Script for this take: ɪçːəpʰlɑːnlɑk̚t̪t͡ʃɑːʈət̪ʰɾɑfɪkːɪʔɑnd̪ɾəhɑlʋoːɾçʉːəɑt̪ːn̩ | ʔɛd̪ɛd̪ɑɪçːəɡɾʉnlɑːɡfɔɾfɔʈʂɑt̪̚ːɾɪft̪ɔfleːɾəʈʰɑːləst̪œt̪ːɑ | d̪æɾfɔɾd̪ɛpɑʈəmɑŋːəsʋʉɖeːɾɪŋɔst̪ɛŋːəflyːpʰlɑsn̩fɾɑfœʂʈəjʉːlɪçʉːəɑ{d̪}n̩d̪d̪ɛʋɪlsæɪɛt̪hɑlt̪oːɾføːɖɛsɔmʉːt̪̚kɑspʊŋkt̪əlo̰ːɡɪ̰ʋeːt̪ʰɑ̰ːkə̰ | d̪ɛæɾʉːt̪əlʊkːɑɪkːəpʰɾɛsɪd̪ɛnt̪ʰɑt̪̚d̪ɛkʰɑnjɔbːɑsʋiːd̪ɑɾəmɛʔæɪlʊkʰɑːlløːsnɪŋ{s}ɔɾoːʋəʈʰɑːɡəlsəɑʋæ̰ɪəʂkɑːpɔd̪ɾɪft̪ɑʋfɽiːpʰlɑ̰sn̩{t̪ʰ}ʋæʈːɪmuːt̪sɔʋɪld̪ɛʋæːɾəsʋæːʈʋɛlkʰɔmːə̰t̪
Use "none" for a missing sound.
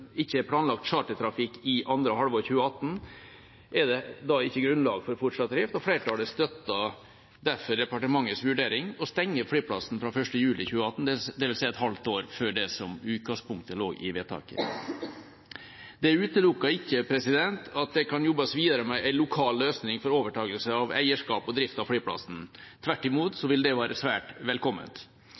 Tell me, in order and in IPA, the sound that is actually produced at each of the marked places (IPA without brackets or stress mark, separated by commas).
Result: t̪, f, t̪ʰ